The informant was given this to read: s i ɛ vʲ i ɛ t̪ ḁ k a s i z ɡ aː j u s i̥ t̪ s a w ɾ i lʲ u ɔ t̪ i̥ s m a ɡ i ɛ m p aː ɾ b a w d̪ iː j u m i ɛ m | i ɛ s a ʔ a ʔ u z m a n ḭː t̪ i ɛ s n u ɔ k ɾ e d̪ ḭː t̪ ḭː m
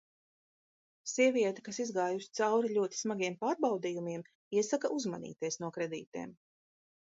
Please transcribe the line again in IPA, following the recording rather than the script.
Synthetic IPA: s i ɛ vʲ i ɛ t̪ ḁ k a s i z ɡ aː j u s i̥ t̪ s a w ɾ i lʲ u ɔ t̪ i̥ s m a ɡ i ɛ m p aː ɾ b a w d̪ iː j u m i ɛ m | i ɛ s a k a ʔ u z m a n ḭː t̪ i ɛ s n u ɔ k ɾ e d̪ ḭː t̪ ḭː m